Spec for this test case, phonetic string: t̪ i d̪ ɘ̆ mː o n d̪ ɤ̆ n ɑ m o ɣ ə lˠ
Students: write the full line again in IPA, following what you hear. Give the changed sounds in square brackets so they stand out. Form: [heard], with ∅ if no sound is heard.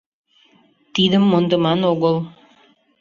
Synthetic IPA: t̪ i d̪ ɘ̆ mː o n d̪ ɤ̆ [m] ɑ [n] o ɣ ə lˠ